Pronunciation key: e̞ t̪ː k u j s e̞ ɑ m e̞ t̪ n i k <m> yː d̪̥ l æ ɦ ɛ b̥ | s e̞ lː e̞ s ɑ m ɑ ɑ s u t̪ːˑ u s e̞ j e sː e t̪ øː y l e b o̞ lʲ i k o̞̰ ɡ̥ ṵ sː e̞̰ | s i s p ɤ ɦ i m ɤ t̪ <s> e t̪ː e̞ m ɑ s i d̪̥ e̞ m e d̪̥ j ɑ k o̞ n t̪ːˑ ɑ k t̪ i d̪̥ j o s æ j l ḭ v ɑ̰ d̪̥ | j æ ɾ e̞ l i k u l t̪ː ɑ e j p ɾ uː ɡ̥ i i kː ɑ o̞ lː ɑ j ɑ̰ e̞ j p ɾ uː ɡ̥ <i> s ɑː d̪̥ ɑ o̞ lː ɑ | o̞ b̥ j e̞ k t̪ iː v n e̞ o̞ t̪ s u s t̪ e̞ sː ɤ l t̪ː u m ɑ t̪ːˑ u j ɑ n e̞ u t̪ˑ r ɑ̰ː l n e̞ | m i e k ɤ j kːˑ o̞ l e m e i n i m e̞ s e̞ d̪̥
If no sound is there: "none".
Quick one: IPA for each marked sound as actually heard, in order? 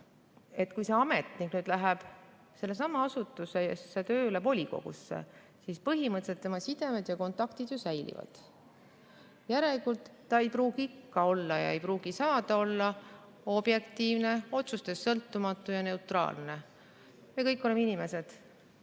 n, s, i

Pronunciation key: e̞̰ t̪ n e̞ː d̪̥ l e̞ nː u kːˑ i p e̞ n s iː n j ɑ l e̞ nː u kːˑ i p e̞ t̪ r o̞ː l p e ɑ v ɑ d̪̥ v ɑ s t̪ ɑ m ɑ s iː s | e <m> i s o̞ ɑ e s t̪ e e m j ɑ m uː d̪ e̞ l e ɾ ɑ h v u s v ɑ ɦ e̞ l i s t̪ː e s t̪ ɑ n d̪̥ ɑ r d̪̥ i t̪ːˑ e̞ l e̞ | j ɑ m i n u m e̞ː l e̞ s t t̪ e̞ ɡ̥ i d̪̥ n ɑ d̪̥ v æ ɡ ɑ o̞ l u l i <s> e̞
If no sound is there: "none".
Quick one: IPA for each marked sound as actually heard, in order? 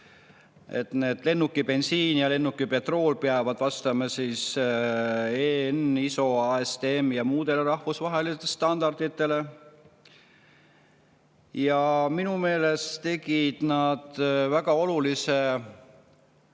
n, s

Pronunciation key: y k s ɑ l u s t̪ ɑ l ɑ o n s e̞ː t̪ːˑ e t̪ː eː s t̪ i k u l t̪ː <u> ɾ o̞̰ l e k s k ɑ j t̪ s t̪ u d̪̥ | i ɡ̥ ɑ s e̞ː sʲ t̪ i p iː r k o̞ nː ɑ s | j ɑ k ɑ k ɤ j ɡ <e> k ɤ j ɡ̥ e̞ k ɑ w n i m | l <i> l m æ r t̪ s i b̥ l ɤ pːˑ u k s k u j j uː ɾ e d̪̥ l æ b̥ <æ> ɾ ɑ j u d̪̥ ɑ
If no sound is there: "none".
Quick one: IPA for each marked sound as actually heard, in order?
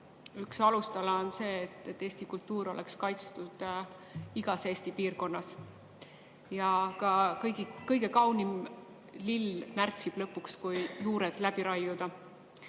uː, i, i, i

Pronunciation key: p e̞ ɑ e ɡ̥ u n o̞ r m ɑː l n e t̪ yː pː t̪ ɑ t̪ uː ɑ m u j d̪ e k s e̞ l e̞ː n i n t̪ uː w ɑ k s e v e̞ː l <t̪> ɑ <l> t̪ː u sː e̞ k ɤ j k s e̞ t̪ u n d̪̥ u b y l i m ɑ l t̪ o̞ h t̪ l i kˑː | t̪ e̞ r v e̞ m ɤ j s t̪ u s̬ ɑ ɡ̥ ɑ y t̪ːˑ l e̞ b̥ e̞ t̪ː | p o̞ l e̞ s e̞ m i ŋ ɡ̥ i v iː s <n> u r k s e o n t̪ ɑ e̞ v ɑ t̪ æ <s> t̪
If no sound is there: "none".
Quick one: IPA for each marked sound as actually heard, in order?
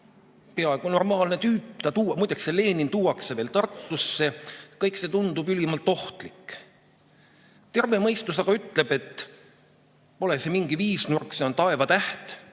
t̪, r, n, h

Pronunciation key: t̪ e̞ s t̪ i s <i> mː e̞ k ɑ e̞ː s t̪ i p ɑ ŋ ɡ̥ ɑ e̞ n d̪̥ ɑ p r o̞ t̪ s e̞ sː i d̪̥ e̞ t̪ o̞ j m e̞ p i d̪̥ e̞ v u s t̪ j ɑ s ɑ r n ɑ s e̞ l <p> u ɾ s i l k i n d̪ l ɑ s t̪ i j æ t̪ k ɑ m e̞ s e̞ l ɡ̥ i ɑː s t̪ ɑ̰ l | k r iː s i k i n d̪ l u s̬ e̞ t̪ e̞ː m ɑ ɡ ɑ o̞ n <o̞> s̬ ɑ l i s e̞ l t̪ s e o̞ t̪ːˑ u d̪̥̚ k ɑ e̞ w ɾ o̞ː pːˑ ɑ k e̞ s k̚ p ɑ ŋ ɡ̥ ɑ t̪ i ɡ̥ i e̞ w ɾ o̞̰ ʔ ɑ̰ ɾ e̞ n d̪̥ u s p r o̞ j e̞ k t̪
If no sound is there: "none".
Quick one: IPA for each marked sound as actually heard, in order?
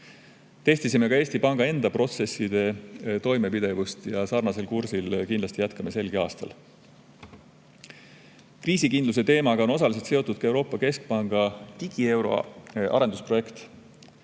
i, k, o̞

